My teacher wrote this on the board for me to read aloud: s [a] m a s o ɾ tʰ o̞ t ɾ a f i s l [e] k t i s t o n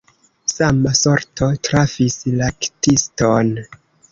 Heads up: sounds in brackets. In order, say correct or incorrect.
correct, incorrect: a

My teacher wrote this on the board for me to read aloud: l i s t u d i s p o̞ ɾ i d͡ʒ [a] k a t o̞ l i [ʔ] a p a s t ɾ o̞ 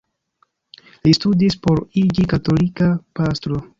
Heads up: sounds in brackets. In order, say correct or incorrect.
incorrect: i, incorrect: k

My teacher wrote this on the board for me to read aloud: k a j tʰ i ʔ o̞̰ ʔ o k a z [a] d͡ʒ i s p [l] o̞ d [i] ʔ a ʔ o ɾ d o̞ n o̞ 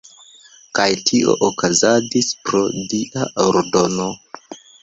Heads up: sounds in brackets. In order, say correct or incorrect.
correct, incorrect: ɾ, correct

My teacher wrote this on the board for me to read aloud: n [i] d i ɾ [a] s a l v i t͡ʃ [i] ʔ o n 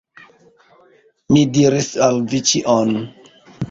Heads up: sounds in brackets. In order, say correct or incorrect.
correct, incorrect: i, correct

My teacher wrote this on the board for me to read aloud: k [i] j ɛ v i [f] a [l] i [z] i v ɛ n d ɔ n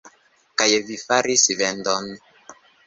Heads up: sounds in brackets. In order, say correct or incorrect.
incorrect: a, correct, incorrect: ɾ, incorrect: s

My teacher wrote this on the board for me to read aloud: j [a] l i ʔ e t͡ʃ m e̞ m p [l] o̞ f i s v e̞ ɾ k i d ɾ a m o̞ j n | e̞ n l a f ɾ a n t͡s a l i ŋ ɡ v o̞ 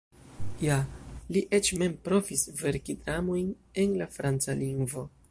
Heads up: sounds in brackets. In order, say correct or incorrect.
correct, incorrect: ɾ

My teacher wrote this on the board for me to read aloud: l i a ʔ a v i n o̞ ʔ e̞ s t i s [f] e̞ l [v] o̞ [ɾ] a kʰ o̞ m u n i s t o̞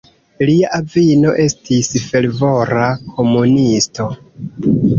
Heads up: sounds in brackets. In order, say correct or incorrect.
correct, correct, correct

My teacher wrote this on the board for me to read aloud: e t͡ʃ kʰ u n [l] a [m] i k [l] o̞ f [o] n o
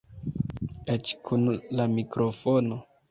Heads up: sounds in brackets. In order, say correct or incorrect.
correct, correct, incorrect: ɾ, correct

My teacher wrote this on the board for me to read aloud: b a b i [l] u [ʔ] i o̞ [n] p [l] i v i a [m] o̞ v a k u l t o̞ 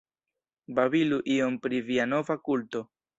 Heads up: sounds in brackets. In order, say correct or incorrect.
correct, correct, incorrect: m, incorrect: ɾ, incorrect: n

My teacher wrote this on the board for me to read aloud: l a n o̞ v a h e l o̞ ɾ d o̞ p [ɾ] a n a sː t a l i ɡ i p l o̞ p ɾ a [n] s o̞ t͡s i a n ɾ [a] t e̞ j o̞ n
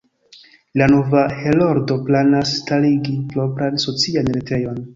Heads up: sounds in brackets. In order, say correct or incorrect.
incorrect: l, correct, incorrect: e

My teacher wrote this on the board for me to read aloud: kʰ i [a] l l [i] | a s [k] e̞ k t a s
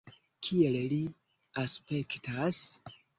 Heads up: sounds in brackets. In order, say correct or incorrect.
incorrect: e, correct, incorrect: p

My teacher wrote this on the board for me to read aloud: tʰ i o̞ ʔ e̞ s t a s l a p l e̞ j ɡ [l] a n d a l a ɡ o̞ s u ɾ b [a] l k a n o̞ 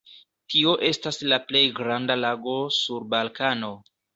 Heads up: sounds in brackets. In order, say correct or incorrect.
incorrect: ɾ, correct

